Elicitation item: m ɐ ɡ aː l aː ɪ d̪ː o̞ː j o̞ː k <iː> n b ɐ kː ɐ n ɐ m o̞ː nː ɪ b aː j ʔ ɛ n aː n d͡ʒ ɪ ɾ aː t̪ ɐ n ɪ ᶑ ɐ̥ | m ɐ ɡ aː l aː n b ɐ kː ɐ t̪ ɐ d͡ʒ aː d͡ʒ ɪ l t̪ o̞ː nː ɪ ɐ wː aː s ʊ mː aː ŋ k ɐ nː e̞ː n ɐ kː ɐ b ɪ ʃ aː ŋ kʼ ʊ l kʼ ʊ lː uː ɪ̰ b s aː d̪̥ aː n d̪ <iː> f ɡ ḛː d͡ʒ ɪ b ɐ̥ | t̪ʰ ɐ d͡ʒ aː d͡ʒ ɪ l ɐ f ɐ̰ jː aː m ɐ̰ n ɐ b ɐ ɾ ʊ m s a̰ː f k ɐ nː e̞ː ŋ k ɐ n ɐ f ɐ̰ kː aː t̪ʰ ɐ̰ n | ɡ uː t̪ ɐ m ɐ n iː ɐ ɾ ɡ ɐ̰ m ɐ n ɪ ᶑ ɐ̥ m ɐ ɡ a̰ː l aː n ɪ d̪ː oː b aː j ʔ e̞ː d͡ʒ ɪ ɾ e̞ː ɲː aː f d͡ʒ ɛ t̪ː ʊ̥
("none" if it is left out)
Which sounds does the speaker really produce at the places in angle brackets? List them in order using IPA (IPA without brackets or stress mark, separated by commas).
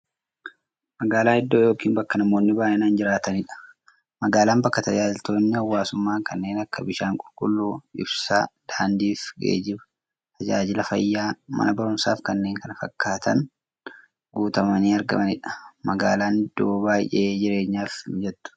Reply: iː, iː